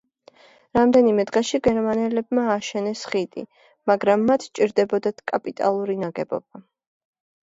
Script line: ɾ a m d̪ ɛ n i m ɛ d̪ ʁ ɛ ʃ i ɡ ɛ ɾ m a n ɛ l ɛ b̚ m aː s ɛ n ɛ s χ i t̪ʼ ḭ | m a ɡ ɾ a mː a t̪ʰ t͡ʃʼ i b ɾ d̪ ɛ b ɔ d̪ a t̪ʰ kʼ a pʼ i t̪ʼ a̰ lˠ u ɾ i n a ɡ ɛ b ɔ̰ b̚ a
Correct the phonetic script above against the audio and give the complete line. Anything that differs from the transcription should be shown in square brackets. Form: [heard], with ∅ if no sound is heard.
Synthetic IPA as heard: ɾ a m d̪ ɛ n i m ɛ d̪ ʁ ɛ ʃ i ɡ ɛ ɾ m a n ɛ l ɛ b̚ m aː [ʃ] ɛ n ɛ s χ i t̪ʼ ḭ | m a ɡ ɾ a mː a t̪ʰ t͡ʃʼ i [∅] ɾ d̪ ɛ b ɔ d̪ a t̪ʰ kʼ a pʼ i t̪ʼ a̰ lˠ u ɾ i n a ɡ ɛ b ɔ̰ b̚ a